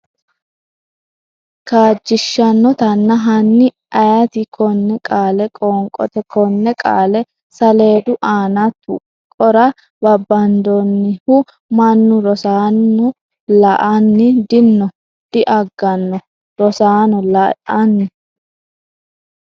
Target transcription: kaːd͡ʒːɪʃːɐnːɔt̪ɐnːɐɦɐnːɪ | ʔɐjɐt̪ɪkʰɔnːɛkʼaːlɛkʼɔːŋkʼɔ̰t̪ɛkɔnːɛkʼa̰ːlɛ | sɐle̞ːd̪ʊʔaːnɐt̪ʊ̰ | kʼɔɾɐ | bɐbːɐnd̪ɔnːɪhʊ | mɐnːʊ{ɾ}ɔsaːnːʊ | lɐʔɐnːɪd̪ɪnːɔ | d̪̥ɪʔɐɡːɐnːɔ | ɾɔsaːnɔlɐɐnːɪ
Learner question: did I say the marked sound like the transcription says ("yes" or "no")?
yes